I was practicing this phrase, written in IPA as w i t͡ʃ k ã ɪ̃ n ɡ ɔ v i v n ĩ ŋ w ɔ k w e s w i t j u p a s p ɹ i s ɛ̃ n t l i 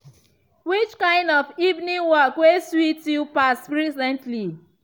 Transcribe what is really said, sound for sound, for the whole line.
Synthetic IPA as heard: w i t͡ʃ k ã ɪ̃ n d ɔ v i v n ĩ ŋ w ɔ k w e s w i t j u p a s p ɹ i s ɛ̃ n t l i